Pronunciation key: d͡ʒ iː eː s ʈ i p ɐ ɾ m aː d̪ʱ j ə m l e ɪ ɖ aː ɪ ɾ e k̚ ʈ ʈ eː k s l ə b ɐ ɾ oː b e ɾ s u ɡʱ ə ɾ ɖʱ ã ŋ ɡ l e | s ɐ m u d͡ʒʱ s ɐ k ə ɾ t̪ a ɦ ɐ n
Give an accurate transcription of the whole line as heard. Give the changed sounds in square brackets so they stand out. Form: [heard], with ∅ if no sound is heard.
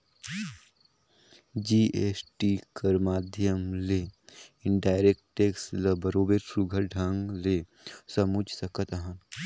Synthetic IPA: d͡ʒ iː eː s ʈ i [k] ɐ ɾ m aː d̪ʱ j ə m l e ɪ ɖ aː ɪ ɾ e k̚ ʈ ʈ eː k s l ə b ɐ ɾ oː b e ɾ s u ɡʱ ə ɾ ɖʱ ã ŋ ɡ l e | s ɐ m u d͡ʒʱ s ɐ k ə [∅] t̪ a ɦ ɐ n